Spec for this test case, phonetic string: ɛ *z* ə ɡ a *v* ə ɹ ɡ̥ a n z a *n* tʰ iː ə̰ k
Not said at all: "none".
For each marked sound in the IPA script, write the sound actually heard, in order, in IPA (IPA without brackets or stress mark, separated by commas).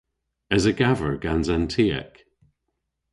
z, v, n